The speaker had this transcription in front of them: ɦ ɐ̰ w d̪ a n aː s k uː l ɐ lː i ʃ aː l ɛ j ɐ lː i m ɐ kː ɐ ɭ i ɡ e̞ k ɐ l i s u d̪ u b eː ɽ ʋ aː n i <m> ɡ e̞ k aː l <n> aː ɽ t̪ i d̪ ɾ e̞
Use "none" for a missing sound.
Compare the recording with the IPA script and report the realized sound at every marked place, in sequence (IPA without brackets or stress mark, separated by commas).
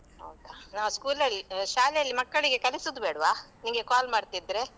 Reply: ŋ, m